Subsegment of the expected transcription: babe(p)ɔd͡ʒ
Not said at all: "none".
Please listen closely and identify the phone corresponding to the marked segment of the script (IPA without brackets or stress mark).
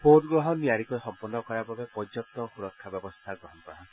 p